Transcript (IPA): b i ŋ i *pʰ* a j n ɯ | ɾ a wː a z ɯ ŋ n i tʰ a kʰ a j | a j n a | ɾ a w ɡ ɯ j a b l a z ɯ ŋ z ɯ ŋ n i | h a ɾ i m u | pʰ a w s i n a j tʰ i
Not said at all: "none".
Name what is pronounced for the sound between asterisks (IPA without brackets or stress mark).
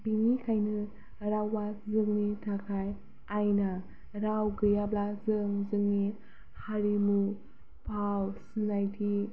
kʰ